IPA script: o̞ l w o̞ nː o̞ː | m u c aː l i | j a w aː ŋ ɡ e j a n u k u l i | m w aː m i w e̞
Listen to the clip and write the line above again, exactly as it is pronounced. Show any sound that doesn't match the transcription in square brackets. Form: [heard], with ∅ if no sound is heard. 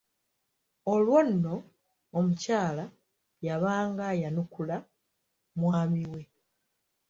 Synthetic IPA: o̞ l w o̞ nː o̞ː | m u c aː l [a] | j a [β] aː ŋ ɡ [a] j a n u k u l [a] | m w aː m i w e̞